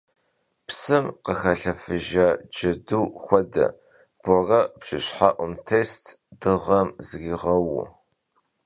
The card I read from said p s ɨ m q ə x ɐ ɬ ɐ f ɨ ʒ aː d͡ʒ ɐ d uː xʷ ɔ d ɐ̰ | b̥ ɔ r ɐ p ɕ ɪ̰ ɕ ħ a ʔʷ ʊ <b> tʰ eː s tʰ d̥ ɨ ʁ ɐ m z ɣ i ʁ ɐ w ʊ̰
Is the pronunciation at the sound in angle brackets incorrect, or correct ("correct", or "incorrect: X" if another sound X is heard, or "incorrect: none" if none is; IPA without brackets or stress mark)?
incorrect: m